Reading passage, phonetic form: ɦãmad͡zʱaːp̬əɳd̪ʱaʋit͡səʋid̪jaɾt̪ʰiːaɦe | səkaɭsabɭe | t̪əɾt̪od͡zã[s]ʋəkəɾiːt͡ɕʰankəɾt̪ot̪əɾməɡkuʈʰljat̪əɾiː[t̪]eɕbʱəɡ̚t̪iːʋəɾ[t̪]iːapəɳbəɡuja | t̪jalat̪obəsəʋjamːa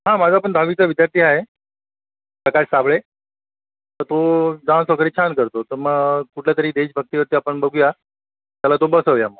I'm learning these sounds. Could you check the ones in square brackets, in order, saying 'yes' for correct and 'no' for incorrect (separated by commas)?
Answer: yes, no, yes